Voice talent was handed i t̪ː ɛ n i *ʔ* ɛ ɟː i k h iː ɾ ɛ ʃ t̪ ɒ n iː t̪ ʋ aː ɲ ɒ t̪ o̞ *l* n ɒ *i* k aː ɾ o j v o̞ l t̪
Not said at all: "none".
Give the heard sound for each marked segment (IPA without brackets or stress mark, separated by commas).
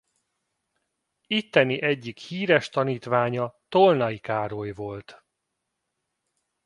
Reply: ʔ, l, i